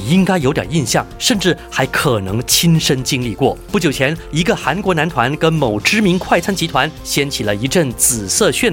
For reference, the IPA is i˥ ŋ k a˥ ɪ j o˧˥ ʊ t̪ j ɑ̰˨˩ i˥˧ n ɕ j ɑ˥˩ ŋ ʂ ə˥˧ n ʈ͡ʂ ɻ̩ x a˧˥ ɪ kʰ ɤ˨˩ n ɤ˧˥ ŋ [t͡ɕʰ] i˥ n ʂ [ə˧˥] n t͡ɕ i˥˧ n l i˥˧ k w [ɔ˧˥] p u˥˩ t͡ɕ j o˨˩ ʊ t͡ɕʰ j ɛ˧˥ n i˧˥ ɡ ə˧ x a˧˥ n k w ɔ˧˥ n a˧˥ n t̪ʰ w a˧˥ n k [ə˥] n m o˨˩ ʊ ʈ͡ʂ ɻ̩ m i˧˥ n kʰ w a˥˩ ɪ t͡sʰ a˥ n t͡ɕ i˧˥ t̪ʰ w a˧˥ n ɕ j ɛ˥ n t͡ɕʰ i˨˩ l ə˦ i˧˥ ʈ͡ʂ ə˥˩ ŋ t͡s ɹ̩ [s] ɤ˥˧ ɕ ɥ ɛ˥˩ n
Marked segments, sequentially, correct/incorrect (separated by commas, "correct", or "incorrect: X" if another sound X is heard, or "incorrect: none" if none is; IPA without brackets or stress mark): correct, incorrect: ə˥, incorrect: ɔ˥˩, correct, correct